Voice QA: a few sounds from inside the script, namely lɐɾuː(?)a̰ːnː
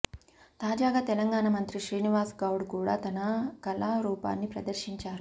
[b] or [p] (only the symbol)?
p